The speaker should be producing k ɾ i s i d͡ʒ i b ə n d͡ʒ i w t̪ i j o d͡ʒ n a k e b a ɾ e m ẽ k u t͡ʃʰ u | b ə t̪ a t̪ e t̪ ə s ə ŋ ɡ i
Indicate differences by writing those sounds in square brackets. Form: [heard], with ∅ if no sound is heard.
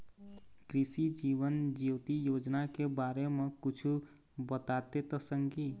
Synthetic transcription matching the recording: k ɾ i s i d͡ʒ i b ə n d͡ʒ i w t̪ i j o d͡ʒ n a k e b a ɾ e m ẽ k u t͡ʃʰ u | b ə t̪ a t̪ e t̪ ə s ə ŋ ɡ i